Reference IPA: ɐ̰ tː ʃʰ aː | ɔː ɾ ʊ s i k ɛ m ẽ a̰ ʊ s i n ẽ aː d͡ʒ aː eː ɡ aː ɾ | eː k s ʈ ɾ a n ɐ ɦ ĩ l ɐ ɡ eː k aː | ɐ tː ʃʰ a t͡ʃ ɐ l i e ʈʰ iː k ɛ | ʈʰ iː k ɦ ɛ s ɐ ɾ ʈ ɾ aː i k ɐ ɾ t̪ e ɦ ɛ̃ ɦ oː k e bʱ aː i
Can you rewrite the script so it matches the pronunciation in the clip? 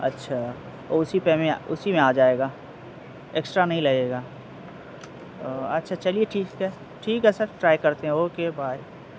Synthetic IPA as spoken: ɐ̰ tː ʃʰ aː | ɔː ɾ ʊ s i p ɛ m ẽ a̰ ʊ s i m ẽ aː d͡ʒ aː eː ɡ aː | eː k s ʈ ɾ a n ɐ ɦ ĩ l ɐ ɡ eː ɡ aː | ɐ tː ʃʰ a t͡ʃ ɐ l i e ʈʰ iː k ɛ | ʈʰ iː k ɦ ɛ s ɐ ɾ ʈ ɾ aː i k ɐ ɾ t̪ e ɦ ɛ̃ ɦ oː k e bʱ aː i